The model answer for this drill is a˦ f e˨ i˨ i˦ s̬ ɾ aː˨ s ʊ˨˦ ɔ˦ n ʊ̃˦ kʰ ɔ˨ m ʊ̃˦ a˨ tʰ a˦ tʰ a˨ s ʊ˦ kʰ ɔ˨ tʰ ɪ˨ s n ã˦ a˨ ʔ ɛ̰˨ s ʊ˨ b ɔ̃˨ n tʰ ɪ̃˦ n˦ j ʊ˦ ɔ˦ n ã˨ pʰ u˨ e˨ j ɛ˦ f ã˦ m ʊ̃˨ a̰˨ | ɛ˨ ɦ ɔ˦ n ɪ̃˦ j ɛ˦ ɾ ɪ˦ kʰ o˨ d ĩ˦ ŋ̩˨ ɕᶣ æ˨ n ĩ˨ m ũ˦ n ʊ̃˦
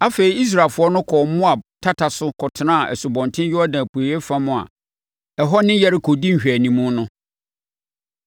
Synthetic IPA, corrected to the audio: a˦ f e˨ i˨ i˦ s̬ ɾ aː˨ f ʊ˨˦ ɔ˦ n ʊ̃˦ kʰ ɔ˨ m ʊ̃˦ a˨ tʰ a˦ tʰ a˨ s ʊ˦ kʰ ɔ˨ tʰ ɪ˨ n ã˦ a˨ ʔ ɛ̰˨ s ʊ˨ b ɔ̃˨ n tʰ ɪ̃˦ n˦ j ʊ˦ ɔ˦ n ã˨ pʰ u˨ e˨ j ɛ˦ f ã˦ m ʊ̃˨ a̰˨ | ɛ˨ ɦ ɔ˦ n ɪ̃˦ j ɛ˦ ɾ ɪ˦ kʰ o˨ d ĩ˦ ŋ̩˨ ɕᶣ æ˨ n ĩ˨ m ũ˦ n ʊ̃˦